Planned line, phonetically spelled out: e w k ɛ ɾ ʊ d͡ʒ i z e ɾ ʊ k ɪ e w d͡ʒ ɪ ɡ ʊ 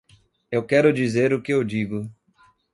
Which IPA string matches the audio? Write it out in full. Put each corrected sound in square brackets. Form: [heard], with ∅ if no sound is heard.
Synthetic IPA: e w k ɛ ɾ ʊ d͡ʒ i z e ɾ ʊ k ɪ e w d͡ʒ [i] ɡ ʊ